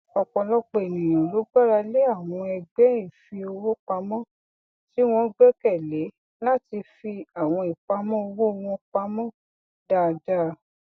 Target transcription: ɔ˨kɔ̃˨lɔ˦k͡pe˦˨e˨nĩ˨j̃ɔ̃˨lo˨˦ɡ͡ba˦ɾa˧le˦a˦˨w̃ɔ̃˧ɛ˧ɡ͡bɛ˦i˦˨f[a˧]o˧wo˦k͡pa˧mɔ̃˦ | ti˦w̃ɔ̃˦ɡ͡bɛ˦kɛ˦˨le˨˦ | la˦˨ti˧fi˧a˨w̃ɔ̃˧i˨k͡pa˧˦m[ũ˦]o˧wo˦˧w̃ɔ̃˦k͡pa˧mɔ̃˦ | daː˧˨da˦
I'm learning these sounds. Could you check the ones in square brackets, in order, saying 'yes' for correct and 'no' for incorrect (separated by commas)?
no, no